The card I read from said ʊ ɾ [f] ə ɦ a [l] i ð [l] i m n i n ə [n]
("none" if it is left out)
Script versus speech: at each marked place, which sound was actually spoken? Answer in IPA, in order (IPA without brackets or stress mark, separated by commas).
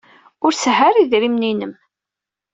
s, ɾ, ɾ, m